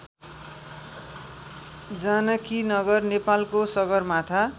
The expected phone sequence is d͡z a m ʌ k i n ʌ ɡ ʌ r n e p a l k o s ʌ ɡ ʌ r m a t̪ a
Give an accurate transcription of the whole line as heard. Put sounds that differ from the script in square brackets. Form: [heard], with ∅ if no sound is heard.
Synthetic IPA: d͡z a [n] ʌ k i n ʌ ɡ ʌ r n e p a l k o s ʌ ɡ ʌ r m a [t̪ʰ] a